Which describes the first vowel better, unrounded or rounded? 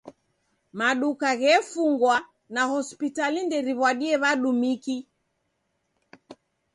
unrounded